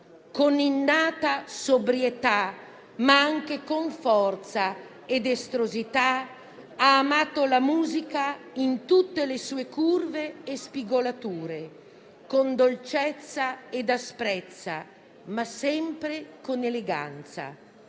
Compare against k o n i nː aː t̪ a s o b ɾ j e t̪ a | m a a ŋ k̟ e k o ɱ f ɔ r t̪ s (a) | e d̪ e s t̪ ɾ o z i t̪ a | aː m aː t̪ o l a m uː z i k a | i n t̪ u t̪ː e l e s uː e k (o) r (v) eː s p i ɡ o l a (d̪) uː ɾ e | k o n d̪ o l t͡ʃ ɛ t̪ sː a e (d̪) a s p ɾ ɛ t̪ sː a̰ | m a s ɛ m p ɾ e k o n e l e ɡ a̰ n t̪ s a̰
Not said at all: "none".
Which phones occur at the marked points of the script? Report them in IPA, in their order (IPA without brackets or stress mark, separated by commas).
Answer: a, u, v, t̪, d̪